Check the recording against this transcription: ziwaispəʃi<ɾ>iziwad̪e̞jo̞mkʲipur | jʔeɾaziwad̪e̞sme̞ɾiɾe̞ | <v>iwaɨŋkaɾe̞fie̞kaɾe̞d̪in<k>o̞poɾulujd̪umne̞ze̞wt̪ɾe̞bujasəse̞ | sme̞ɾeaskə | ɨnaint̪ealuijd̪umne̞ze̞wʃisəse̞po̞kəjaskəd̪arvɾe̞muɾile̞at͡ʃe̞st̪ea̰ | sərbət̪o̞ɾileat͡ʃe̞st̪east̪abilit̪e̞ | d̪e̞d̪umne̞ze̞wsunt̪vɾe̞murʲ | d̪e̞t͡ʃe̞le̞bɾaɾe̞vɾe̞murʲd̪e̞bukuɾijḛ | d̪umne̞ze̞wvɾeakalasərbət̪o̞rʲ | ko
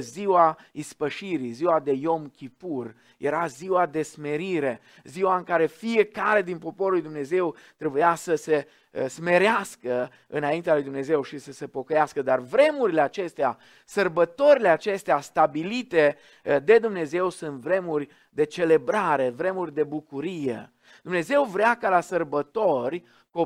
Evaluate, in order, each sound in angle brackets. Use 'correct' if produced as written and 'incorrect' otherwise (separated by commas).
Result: correct, incorrect, incorrect